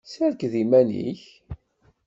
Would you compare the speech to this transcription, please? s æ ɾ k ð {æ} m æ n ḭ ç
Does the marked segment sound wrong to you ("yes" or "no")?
yes